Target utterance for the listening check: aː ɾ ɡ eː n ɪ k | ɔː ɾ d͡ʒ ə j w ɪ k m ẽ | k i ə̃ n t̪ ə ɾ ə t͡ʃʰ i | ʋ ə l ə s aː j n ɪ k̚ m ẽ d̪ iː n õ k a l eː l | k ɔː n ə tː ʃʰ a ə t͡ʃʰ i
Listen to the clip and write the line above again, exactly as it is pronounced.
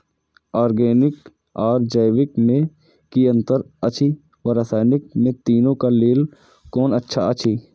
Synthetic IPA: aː ɾ ɡ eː n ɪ k | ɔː ɾ d͡ʒ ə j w ɪ k m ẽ | k i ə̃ n t̪ ə ɾ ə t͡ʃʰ i | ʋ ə ɾ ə s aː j n ɪ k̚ m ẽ t̪ iː n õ k a l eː l | k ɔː n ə tː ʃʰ a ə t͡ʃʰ i

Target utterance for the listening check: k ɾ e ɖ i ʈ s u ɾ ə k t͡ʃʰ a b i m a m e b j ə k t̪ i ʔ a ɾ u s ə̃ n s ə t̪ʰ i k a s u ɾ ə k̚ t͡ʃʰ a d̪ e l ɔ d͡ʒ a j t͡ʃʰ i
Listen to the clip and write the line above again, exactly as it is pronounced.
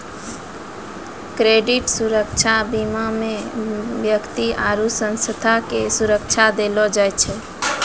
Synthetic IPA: k ɾ e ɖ i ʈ s u ɾ ə k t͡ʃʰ a b i m a m e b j ə k t̪ i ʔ a ɾ u s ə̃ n s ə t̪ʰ a k e s u ɾ ə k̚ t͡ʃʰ a d̪ e l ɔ d͡ʒ a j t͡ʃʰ ɛ

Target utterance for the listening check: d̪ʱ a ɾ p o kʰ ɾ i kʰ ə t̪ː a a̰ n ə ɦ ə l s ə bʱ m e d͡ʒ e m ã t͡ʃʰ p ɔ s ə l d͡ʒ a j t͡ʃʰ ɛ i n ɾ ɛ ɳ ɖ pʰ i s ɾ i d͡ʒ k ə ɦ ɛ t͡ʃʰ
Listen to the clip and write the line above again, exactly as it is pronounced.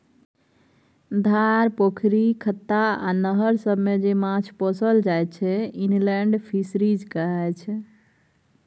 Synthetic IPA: d̪ʱ a ɾ p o kʰ ɾ i kʰ ə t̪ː a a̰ n ə ɦ ə ɾ s ə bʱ m e d͡ʒ e m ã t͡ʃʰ p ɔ s ə l d͡ʒ a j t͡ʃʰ ɛ i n l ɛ ɳ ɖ pʰ i s ɾ i d͡ʒ k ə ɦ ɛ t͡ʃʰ

